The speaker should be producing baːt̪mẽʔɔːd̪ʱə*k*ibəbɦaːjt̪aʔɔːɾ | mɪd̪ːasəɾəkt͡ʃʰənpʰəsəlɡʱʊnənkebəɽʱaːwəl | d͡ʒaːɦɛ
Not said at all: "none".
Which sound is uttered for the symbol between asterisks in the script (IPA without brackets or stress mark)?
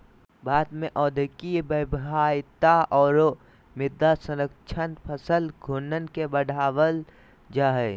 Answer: k